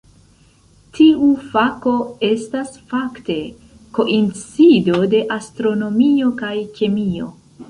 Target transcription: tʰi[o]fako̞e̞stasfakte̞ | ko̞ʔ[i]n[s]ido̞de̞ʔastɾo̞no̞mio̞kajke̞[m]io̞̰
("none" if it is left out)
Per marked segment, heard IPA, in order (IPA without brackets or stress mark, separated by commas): u, i, t͡s, m